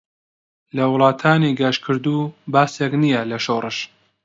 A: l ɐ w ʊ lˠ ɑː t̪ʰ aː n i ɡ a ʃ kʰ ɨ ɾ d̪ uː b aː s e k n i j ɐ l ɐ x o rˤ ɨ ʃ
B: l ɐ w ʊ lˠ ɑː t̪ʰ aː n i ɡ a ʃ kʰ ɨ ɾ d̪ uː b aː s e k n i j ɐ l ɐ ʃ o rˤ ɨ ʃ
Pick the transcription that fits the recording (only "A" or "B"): B